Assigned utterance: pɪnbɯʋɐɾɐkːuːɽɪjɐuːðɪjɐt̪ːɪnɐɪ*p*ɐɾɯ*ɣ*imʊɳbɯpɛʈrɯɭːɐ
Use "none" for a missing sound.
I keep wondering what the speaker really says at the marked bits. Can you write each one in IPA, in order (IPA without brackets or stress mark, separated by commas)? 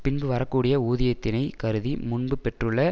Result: k, ð